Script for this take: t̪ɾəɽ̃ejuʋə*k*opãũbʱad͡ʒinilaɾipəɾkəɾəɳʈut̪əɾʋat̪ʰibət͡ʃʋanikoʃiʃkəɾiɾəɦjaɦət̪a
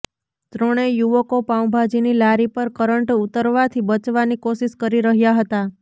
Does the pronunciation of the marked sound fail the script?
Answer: no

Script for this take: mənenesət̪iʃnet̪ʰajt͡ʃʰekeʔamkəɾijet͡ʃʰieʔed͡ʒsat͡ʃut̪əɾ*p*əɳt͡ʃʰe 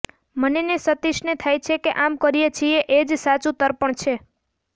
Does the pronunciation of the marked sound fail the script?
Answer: no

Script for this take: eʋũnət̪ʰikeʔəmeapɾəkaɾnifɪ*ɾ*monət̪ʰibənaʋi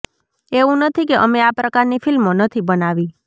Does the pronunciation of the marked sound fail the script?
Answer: yes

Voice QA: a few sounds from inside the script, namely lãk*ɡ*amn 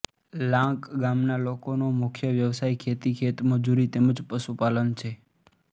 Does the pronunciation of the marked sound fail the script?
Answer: no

